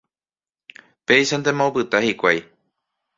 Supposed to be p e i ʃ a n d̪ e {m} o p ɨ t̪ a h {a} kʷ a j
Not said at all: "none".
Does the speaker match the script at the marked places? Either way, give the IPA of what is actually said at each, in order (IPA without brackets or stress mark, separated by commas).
m, i